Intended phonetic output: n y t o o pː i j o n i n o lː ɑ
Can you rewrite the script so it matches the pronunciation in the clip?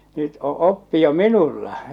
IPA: n y t o o pː i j o m i n u lː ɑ